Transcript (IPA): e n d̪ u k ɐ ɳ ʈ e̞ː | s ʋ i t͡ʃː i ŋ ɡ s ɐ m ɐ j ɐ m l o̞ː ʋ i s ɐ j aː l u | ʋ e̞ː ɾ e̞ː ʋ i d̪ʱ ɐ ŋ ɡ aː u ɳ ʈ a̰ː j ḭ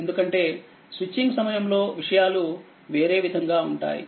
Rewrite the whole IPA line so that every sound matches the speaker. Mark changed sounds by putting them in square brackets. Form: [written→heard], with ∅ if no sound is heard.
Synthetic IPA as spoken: e n d̪ u k ɐ ɳ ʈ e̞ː | s ʋ i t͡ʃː i ŋ ɡ s ɐ m ɐ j ɐ m l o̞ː ʋ i [s→ʂ] ɐ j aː l u | ʋ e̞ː ɾ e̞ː ʋ i d̪ʱ ɐ ŋ ɡ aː u ɳ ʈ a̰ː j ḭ